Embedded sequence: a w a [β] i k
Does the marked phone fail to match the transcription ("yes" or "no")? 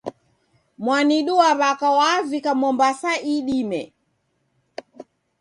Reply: yes